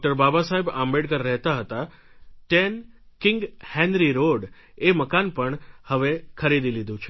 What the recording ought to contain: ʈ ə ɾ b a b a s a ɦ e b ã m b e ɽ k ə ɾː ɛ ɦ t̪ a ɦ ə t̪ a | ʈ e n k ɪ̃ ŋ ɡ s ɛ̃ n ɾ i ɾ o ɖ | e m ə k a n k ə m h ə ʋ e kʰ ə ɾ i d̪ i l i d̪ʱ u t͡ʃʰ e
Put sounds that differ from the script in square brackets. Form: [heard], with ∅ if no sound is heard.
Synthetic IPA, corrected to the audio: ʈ ə ɾ b a b a s a ɦ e b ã m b e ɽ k ə ɾː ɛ ɦ t̪ a ɦ ə t̪ a | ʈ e n k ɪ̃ ŋ ɡ [h] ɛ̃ n ɾ i ɾ o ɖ | e m ə k a n [p] ə [ɳ] h ə ʋ e kʰ ə ɾ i d̪ i l i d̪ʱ [ũ] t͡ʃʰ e